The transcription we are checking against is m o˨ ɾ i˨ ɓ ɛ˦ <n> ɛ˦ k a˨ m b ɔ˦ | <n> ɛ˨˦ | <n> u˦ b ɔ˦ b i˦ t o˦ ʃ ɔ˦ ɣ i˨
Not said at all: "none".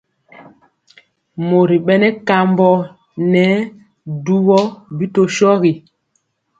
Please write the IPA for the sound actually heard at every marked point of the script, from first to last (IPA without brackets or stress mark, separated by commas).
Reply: n, n, d